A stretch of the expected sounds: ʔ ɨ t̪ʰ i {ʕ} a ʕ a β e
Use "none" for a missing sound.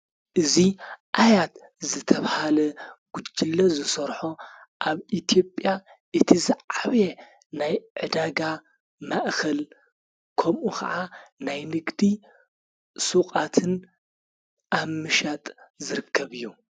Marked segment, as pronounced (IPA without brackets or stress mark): z